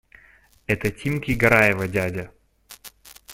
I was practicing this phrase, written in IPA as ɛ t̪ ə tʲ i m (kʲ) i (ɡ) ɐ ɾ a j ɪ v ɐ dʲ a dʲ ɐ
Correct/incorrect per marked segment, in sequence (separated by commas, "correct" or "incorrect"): correct, correct